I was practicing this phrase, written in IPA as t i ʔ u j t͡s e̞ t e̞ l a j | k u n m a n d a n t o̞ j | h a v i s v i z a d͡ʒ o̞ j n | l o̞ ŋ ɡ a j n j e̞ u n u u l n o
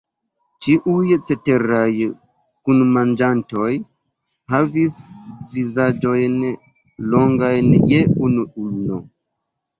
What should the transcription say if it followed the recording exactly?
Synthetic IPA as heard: t͡ʃ i ʔ u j t͡s e̞ t e̞ ɾ a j | k u n m a n d͡ʒ a n t o̞ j | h a v i s v i z a d͡ʒ o̞ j n | l o̞ ŋ ɡ a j n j e̞ u n u u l n o